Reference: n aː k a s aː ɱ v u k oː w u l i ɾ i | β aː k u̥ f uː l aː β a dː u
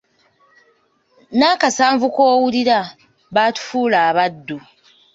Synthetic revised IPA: n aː k a s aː ɱ v u k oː w u l i ɾ a | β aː t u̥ f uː l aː β a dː u